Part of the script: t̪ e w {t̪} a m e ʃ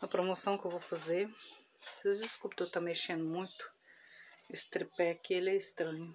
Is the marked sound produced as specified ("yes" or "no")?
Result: yes